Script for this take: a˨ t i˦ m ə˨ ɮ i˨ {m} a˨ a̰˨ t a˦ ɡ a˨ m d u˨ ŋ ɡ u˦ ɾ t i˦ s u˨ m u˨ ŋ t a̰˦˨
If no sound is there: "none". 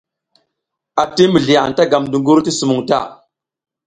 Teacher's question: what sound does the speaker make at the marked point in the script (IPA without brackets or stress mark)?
none